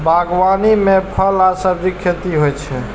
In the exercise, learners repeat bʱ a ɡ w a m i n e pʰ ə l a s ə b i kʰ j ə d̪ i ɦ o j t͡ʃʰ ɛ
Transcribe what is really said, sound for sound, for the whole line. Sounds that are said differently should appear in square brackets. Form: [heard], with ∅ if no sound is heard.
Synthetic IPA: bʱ a ɡ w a [n] i [m] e pʰ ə l a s ə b i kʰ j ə [t̪] i ɦ o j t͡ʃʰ ɛ